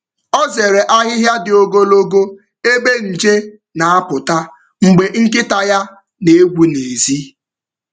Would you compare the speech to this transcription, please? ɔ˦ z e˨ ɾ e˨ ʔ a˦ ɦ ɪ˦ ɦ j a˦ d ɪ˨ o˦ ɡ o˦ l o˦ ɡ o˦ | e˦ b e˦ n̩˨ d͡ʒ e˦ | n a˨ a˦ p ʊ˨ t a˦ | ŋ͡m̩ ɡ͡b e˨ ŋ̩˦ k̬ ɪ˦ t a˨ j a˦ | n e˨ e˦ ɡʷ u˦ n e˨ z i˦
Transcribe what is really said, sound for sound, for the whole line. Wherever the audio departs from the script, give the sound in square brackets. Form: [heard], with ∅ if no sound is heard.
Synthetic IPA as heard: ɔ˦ z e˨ ɾ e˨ ʔ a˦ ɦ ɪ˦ ɦ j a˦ d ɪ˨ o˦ ɡ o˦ l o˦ ɡ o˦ | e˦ b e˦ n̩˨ d͡ʒ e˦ | n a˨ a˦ p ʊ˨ t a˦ | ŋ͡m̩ ɡ͡b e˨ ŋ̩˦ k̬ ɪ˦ t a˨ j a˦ | n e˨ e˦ ɡʷ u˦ n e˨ z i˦

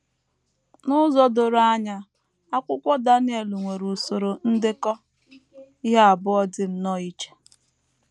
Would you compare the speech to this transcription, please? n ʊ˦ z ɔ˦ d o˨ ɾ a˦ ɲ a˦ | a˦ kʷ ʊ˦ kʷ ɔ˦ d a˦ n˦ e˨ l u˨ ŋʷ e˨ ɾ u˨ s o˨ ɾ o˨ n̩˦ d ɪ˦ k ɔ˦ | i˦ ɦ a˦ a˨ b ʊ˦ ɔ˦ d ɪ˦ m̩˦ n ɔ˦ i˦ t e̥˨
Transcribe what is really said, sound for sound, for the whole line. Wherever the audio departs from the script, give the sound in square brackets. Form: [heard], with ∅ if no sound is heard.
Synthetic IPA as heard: n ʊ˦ z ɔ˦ d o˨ ɾ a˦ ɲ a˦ | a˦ kʷ ʊ˦ kʷ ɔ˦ d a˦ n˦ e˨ l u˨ ŋʷ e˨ ɾ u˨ s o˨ ɾ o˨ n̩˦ d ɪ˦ k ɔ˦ | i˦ ɦ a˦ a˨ b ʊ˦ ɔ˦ d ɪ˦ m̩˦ n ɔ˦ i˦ [t͡ʃ] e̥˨

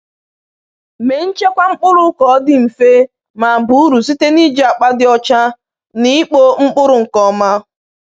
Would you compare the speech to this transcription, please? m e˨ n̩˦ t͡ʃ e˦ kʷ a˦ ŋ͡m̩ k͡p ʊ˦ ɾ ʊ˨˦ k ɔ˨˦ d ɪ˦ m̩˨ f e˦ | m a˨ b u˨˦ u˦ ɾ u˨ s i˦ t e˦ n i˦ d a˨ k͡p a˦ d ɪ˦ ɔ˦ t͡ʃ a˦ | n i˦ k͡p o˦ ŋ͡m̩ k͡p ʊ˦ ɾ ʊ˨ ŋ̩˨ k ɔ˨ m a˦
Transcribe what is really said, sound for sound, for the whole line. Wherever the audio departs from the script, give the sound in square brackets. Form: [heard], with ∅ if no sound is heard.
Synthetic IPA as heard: m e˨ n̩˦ t͡ʃ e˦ kʷ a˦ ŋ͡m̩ k͡p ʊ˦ ɾ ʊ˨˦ k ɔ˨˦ d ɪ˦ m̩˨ f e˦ | m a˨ b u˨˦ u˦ ɾ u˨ s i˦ t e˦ n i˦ [d͡ʒ] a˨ k͡p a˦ d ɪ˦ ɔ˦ t͡ʃ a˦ | n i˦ k͡p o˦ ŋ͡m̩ k͡p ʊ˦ ɾ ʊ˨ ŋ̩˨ k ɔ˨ m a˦

